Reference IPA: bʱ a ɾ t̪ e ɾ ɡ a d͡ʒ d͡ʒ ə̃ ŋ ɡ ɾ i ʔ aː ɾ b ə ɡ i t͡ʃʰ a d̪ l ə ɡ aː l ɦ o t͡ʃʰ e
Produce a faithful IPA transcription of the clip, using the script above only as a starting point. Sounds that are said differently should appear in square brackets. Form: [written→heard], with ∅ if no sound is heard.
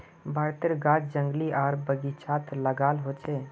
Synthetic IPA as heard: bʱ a ɾ t̪ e ɾ ɡ a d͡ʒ d͡ʒ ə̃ ŋ ɡ [ɾ→l] i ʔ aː ɾ b ə ɡ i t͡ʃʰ a [d̪→t̪] l ə ɡ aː l ɦ o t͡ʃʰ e